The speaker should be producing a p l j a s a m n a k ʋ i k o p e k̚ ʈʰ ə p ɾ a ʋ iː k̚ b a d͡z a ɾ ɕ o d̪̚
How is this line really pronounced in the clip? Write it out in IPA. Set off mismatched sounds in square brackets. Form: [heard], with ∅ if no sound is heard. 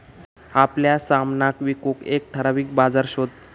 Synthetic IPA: a p l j a s a m n a k ʋ i k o [k] e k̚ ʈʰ ə [∅] ɾ a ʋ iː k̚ b a d͡z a ɾ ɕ o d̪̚